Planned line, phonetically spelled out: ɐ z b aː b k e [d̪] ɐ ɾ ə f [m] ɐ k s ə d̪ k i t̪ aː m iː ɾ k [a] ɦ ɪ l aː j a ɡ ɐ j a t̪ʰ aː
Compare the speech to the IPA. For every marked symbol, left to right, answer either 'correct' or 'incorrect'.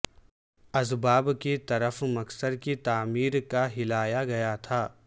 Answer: incorrect, correct, correct

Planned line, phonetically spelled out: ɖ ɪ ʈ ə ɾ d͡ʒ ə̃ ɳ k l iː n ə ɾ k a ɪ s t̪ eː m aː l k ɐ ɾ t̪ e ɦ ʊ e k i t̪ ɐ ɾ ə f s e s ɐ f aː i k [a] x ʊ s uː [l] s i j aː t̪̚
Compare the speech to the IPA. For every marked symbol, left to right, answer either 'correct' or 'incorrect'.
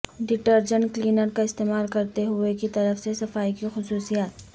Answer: incorrect, incorrect

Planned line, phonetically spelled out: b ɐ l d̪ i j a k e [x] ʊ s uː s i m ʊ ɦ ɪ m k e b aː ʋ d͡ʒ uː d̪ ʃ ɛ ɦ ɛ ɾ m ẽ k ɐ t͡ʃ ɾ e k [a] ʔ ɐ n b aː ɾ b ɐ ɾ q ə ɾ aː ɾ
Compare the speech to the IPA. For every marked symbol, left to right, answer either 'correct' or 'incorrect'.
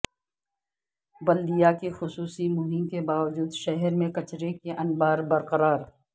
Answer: correct, incorrect

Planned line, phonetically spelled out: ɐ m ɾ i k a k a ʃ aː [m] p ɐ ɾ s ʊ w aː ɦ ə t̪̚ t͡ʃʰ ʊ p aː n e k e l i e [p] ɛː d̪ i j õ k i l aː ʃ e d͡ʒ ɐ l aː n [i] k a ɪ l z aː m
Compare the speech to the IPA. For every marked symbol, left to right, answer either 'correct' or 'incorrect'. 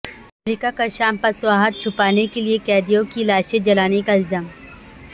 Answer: correct, incorrect, incorrect

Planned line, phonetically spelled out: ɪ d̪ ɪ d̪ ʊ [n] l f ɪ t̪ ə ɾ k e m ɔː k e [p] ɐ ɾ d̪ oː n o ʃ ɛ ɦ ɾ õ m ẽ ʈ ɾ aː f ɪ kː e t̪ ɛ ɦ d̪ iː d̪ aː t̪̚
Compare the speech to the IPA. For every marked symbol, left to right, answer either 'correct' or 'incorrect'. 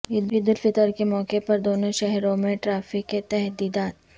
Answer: incorrect, correct

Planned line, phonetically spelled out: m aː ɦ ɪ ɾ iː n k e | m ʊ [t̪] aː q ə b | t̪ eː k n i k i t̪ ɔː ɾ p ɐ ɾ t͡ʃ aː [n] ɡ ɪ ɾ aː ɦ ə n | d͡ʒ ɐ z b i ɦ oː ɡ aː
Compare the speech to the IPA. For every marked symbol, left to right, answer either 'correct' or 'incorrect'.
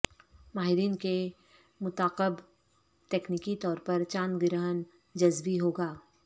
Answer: correct, correct

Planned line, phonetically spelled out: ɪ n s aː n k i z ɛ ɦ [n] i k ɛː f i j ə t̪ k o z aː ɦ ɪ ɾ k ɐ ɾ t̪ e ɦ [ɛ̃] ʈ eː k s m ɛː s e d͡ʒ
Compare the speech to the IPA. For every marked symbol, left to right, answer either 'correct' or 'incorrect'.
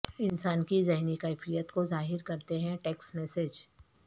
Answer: correct, correct

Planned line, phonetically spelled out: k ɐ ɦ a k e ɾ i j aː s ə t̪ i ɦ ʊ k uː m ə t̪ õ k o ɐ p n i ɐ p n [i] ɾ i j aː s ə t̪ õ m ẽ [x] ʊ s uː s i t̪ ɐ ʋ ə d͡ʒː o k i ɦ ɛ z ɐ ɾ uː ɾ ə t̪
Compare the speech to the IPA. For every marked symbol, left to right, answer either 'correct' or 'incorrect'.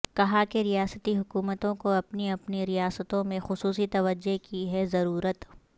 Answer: correct, correct

